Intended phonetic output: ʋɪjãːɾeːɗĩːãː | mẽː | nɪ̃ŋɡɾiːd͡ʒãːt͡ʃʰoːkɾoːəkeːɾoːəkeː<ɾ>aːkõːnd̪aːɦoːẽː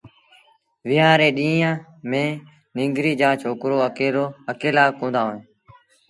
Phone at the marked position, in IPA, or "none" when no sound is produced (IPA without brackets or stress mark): l